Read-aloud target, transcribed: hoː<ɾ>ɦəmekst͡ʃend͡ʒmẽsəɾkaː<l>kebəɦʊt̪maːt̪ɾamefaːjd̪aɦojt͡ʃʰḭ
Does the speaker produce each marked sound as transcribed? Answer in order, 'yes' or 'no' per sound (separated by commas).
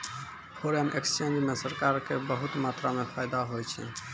yes, no